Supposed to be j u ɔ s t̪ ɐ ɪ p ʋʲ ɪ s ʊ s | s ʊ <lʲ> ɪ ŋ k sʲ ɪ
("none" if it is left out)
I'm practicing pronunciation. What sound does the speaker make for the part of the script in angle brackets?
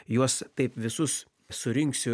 ɾʲ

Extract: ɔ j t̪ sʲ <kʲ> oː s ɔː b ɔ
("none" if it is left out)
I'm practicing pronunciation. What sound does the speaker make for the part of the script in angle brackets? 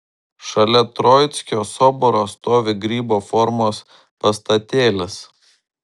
kʲ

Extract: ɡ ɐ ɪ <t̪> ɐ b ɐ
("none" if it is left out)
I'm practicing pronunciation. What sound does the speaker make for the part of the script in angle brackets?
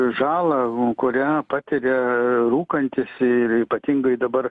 d̪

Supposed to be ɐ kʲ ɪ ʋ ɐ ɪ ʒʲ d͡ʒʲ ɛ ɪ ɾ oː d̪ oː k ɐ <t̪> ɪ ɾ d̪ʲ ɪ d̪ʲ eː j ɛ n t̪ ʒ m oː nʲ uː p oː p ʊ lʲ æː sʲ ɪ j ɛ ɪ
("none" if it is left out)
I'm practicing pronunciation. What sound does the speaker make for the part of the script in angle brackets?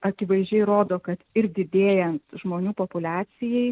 t̪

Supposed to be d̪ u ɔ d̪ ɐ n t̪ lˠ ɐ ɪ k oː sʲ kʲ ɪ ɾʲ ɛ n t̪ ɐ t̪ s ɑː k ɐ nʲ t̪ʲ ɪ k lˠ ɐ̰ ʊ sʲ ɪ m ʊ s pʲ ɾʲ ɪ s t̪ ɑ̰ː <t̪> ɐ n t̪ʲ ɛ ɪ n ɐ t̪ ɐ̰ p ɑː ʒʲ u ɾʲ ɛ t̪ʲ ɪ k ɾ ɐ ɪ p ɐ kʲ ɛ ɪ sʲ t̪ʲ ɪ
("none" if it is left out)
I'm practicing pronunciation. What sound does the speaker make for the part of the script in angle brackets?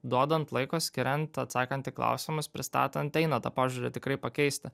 t̪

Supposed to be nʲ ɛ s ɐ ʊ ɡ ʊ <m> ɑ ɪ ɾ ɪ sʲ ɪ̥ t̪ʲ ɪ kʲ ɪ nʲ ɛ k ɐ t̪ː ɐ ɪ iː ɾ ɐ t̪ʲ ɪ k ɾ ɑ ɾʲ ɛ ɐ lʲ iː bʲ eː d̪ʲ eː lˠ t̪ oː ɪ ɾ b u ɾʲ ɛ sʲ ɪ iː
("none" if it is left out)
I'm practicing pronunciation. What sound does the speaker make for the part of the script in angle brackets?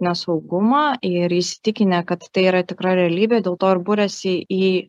m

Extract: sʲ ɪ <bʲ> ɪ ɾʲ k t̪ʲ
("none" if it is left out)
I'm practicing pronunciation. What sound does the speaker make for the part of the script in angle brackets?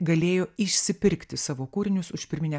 pʲ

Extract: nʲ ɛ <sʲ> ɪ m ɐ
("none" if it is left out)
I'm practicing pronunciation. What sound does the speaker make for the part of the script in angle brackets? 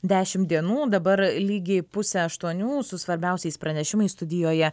ʃʲ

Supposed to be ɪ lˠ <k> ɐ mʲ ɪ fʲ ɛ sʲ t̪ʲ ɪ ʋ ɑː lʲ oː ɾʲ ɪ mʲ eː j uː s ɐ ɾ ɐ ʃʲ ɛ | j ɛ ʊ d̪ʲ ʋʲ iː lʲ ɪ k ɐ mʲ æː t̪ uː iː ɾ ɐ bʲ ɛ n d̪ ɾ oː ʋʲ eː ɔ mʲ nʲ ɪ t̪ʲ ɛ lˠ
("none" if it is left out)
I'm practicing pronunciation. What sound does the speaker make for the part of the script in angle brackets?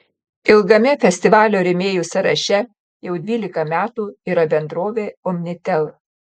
ɡ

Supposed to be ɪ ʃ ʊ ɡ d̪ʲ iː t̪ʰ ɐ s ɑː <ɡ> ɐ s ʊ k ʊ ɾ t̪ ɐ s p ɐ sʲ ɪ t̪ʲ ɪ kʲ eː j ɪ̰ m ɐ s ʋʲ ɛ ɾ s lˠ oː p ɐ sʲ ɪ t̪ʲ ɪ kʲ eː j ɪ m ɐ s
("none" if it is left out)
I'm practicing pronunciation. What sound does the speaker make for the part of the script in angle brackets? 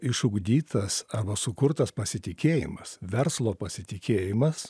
b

